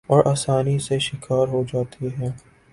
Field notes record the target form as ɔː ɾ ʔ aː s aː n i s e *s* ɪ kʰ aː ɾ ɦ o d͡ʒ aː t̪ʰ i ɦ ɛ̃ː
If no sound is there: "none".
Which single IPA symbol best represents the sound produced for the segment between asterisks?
ʃ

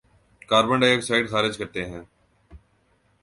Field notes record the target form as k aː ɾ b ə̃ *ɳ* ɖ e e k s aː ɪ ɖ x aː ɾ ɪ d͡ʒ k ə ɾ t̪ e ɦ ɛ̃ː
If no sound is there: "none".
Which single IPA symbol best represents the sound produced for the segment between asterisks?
ɳ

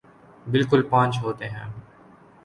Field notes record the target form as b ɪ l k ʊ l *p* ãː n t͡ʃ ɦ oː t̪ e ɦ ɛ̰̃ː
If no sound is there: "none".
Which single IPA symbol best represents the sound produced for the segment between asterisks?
p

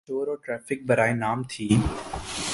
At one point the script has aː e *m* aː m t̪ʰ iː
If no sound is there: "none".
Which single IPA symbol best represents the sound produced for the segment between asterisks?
n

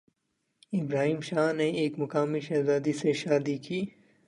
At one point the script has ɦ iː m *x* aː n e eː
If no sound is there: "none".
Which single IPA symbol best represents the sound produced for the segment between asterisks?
ʃ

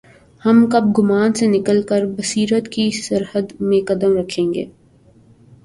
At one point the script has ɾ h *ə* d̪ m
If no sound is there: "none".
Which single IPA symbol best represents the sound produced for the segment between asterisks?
ə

